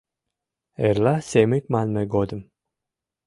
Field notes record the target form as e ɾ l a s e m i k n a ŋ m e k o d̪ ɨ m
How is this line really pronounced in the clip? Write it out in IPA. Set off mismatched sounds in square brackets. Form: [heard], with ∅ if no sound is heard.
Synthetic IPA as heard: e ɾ l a s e m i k [m] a [n] m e [ɡ] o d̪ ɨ m